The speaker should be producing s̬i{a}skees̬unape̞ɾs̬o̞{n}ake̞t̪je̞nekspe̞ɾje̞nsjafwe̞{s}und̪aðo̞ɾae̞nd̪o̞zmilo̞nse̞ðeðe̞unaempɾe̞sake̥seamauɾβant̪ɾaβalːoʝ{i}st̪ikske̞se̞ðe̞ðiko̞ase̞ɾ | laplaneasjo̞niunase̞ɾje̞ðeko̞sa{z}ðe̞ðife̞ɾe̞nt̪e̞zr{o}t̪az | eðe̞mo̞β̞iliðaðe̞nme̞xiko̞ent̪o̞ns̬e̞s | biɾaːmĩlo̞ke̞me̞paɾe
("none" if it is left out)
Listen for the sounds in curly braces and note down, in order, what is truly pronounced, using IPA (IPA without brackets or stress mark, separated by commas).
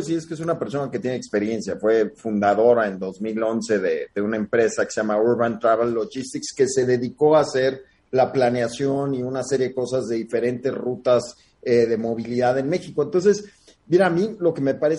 e, n, f, i, z, u